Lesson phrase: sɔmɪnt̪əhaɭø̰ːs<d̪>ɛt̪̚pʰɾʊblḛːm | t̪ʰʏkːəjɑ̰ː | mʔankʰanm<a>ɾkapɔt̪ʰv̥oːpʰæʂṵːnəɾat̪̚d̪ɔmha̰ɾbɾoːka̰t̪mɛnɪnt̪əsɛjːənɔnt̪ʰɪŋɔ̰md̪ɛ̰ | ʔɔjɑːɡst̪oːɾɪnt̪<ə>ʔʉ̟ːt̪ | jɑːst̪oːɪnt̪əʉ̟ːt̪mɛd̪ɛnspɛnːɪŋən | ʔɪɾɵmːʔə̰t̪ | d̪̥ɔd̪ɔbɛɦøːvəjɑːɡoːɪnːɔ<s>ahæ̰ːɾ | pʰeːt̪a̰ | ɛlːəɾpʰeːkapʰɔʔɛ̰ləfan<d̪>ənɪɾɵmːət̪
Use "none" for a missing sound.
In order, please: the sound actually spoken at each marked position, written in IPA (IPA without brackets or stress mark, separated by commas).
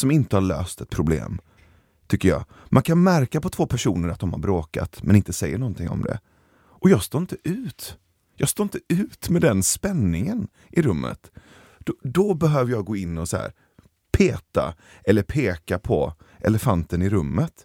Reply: t̪, æ, ə, s, t̪